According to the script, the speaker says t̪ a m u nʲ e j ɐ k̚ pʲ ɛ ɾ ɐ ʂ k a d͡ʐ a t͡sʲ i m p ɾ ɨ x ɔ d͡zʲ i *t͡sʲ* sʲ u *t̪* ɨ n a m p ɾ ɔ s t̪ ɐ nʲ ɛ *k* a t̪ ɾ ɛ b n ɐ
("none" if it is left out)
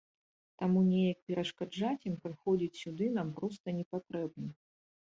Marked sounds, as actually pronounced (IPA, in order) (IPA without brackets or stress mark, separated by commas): t͡sʲ, d̪, p